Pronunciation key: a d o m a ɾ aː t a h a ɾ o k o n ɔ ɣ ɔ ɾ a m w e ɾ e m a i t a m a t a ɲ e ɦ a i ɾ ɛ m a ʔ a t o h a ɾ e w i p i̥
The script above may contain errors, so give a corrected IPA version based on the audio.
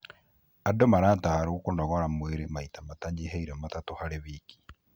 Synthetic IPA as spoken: a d o m a ɾ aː t a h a ɾ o k o n ɔ ɣ ɔ ɾ a m w e ɾ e m a i t a m a t a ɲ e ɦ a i ɾ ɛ m a t a t o h a ɾ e β i k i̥